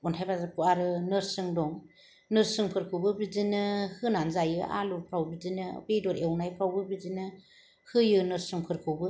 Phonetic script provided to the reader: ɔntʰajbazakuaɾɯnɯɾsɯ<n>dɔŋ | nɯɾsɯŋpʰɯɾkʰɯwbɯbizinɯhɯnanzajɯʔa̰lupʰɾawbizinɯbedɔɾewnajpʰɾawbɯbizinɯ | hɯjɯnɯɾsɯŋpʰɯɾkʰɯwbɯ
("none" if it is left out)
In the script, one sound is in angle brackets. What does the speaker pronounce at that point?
ŋ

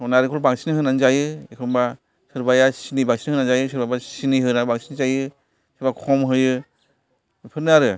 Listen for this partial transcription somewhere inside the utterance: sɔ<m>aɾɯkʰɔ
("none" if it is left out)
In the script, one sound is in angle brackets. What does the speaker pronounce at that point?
n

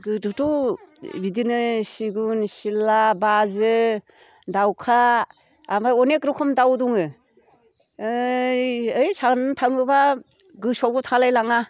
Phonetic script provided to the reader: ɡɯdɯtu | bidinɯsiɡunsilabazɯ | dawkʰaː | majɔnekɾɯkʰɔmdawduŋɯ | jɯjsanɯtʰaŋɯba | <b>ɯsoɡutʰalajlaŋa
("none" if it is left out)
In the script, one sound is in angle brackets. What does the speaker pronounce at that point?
ɡ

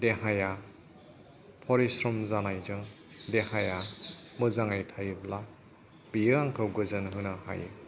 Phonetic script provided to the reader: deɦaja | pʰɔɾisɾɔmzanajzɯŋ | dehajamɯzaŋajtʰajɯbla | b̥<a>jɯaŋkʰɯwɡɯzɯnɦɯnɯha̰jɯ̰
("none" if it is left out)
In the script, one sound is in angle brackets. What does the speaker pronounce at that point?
i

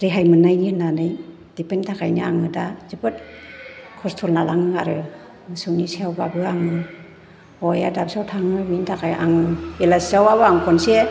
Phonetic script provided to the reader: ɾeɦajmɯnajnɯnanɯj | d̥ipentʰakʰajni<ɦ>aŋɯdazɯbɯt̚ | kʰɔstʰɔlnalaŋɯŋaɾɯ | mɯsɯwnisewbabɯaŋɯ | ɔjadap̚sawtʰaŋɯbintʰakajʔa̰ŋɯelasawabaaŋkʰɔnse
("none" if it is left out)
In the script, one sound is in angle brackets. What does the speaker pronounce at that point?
none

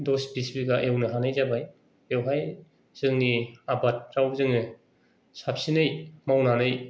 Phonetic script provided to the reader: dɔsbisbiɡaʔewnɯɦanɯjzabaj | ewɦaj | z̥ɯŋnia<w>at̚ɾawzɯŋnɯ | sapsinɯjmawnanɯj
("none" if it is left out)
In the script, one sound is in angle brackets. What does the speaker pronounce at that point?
b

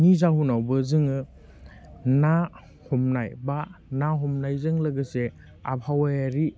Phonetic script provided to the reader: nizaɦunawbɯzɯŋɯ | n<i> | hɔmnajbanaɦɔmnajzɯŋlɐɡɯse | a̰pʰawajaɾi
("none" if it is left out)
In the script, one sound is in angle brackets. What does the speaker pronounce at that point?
a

